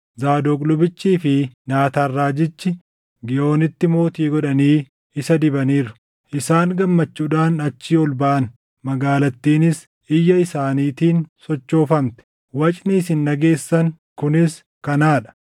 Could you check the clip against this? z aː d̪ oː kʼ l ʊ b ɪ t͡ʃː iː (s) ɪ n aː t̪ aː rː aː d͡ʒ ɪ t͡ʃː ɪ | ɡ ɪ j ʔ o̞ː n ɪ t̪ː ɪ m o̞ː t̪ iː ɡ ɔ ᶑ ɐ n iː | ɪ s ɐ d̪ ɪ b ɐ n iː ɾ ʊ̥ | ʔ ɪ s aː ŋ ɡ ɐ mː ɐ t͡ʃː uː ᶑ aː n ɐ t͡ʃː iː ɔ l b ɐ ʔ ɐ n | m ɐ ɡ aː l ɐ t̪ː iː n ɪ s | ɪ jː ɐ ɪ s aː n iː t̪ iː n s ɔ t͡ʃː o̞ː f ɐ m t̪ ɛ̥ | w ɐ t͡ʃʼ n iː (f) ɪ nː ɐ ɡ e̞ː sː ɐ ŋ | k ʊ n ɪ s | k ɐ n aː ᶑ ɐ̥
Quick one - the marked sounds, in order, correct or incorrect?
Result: incorrect, incorrect

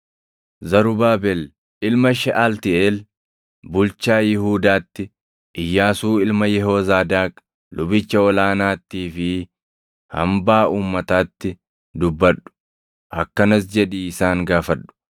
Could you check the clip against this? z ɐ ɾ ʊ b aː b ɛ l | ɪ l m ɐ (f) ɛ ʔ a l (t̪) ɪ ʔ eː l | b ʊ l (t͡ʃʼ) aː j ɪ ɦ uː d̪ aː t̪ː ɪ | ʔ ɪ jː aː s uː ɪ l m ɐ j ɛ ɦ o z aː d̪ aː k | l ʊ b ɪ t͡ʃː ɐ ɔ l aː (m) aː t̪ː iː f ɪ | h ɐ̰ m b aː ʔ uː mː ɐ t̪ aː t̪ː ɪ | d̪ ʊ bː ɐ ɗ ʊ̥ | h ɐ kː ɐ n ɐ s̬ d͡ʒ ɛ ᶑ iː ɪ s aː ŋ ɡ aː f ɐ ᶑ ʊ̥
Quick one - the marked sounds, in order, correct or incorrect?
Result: incorrect, correct, incorrect, incorrect

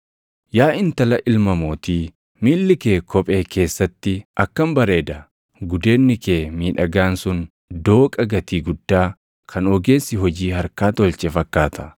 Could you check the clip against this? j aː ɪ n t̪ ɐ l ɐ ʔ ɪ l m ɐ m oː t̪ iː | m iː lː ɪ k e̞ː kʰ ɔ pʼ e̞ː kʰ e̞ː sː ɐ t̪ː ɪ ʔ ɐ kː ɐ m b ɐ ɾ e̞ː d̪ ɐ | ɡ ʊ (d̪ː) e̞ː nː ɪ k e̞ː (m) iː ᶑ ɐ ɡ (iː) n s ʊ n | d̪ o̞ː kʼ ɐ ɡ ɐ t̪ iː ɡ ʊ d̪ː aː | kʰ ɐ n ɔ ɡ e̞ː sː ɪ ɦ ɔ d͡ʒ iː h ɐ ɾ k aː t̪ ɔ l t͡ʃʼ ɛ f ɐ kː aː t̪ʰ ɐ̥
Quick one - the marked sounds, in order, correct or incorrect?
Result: incorrect, correct, incorrect

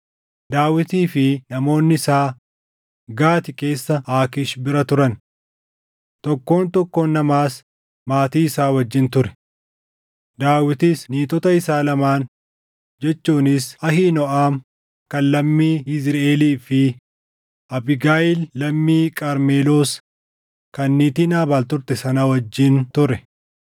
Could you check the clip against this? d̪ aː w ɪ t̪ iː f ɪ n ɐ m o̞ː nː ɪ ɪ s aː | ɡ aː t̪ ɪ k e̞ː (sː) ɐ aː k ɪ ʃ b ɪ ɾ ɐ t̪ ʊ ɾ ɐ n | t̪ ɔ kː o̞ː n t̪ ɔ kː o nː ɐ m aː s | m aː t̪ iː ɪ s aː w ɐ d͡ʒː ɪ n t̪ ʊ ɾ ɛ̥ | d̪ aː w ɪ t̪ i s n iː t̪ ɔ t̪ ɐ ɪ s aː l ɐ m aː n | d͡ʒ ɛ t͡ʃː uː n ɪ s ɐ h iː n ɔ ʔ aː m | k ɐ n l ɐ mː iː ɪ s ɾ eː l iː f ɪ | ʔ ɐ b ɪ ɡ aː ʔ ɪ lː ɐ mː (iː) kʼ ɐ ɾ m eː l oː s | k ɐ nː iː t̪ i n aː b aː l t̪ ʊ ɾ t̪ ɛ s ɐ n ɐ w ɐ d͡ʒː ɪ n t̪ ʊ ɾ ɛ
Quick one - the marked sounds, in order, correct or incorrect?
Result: correct, correct

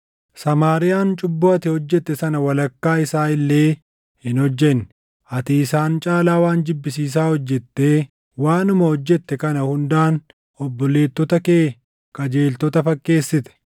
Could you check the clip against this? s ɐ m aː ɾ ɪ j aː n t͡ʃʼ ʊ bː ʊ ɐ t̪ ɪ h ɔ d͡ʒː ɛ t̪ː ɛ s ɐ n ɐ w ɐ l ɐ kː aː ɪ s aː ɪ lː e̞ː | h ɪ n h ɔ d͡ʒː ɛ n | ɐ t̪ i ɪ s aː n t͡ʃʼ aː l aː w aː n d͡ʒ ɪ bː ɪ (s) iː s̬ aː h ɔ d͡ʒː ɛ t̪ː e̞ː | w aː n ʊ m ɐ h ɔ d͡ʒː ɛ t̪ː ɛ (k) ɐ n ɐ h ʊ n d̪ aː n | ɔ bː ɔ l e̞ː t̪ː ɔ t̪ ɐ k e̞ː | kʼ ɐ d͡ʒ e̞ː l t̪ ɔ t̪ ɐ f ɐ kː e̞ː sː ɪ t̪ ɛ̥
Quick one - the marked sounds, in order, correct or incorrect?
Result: correct, correct

